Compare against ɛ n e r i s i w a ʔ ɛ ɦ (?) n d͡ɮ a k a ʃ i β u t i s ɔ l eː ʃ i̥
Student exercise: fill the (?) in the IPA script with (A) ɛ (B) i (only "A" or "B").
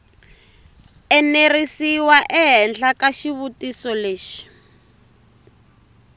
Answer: A